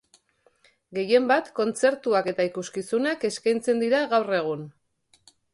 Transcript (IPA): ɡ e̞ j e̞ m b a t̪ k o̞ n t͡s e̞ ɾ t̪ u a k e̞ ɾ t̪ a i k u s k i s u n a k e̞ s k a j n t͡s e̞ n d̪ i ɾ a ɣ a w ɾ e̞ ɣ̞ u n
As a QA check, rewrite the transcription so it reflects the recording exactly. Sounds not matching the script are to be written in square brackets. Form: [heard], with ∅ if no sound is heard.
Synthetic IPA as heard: ɡ e̞ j e̞ m b a t̪ k o̞ n t͡s e̞ ɾ t̪ u a k e̞ [∅] t̪ a i k u s k i s u n a k e̞ s k a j n t͡s e̞ n d̪ i ɾ a ɣ a w [r] e̞ ɣ̞ u n